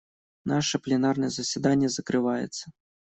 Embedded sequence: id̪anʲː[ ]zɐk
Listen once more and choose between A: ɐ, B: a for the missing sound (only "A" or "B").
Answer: A